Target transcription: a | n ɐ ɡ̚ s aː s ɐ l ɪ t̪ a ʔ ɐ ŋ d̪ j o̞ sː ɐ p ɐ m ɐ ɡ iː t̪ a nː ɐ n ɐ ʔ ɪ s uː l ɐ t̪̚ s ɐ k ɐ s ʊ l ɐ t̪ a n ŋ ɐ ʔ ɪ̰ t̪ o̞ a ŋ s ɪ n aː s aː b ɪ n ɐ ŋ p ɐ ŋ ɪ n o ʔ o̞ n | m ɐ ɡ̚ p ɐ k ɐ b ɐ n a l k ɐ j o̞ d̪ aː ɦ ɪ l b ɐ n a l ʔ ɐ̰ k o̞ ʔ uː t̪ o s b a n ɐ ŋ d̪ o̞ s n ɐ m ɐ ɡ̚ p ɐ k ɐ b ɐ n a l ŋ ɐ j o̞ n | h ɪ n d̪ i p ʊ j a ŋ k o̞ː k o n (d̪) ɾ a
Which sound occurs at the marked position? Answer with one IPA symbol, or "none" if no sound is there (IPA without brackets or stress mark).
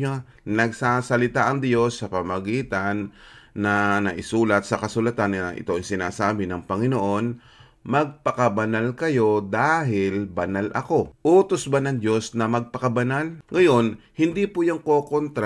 t̪